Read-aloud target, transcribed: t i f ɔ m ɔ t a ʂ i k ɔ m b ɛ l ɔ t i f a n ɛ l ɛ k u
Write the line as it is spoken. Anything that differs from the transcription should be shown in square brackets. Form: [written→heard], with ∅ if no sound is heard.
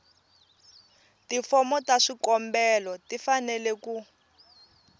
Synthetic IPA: t i f ɔ m ɔ t a ʂ i k ɔ m b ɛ l ɔ t i f a n ɛ l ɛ k u